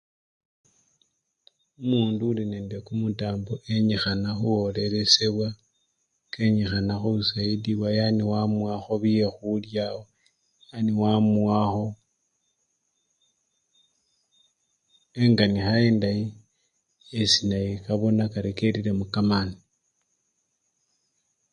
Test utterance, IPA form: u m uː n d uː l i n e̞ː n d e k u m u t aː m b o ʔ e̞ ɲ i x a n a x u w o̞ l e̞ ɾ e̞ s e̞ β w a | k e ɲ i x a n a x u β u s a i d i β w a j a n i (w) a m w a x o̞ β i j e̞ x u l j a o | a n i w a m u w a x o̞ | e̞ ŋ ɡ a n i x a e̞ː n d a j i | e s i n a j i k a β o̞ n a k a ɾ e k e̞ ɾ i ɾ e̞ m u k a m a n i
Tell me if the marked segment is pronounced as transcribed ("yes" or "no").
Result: yes